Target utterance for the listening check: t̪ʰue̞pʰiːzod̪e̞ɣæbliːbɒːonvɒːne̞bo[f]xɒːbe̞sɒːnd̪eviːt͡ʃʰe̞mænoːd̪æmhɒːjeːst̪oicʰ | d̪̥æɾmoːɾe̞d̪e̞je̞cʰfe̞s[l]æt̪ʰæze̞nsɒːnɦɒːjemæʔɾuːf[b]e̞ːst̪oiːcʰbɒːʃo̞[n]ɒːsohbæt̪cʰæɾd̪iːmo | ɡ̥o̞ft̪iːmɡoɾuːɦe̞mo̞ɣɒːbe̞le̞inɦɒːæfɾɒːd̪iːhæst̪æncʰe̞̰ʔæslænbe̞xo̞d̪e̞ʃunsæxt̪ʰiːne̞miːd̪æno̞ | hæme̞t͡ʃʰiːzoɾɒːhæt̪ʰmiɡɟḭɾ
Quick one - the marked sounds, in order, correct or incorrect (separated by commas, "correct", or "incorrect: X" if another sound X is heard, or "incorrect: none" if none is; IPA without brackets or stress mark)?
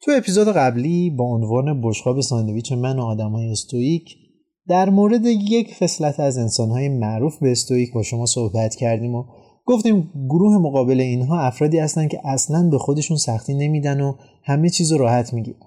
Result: incorrect: ʃ, correct, correct, incorrect: m